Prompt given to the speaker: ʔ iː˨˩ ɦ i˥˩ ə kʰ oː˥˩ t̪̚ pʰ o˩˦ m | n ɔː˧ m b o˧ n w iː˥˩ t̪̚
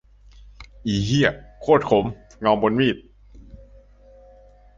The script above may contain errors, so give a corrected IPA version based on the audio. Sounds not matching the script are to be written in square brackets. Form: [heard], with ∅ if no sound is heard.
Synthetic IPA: ʔ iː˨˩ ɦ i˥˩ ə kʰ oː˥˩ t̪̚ [kʰ] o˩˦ m | [ŋ] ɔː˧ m b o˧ n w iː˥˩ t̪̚